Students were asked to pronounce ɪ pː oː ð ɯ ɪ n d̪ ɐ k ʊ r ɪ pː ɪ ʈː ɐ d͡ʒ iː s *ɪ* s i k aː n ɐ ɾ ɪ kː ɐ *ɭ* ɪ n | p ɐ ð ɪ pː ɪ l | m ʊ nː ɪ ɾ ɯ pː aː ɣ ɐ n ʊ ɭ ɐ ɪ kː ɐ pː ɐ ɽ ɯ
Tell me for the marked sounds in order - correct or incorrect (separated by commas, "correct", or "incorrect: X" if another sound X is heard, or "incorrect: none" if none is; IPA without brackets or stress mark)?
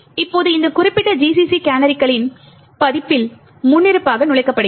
incorrect: i, correct